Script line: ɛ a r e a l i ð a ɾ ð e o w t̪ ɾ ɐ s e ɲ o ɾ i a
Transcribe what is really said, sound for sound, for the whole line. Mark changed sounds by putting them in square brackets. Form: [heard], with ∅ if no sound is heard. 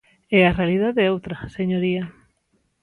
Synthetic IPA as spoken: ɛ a r e a l i ð a [∅] ð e o w t̪ ɾ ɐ s e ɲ o ɾ i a